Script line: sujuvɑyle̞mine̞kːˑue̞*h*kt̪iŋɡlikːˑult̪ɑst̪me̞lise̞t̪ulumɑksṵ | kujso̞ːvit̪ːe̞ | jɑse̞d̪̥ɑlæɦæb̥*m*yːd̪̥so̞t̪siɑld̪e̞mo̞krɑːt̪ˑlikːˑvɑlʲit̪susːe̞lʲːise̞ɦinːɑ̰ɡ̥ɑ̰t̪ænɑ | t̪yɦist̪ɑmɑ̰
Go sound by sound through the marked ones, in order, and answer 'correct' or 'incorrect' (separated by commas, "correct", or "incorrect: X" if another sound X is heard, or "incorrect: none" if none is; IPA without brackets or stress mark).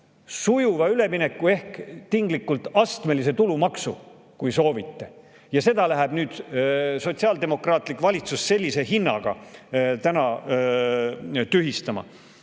correct, incorrect: n